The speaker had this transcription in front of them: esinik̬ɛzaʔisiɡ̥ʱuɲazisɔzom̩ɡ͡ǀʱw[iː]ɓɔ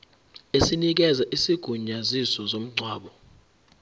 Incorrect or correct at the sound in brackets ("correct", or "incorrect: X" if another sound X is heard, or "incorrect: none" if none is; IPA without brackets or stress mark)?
incorrect: aː